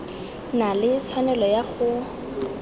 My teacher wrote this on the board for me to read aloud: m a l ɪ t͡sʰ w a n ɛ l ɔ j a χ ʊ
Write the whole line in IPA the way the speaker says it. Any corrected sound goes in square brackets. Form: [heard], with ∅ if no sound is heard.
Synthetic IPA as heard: [n] a l ɪ t͡sʰ w a n ɛ l ɔ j a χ ʊ

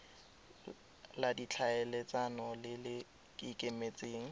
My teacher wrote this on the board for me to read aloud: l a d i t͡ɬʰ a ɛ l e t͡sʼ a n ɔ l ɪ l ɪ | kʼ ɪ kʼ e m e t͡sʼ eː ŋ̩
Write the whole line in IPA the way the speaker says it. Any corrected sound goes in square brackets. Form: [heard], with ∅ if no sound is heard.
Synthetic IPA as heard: l a d i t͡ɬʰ a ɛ l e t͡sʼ a n ɔ l ɪ l ɪ | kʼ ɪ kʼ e m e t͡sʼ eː ŋ̩

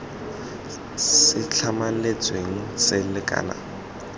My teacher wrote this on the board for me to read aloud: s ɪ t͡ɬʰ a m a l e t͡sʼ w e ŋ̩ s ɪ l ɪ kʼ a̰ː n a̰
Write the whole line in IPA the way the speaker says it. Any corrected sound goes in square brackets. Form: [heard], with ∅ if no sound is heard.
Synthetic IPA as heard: s ɪ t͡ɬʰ a m a l e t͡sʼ w e ŋ̩ s ɪ l ɪ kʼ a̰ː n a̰

